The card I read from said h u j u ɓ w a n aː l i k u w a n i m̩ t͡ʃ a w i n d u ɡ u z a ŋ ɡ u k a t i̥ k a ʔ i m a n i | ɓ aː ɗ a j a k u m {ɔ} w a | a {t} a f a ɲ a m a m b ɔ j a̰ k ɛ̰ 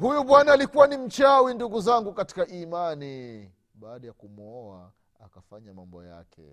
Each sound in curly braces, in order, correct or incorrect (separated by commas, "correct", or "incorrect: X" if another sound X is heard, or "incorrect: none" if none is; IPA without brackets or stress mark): correct, incorrect: k